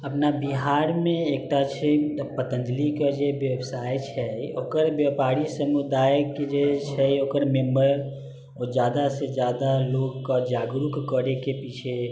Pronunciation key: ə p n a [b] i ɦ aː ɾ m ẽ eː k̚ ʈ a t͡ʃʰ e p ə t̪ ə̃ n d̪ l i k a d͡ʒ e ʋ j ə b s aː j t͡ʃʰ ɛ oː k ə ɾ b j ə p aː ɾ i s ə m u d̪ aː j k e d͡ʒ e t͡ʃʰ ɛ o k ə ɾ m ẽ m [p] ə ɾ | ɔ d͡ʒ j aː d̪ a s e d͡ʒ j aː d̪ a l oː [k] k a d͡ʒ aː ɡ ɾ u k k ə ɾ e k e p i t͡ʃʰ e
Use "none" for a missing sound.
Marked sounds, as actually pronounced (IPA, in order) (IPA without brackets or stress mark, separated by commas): b, b, ɡ